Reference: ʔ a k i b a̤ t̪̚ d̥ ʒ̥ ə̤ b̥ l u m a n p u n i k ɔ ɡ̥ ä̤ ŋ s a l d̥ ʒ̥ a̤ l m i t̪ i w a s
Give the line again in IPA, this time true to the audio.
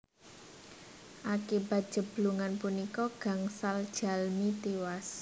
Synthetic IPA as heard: ʔ a k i b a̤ t̪̚ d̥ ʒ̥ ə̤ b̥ l u ŋ a n p u n i k ɔ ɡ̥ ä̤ ŋ s a l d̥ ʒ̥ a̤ l m i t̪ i w a s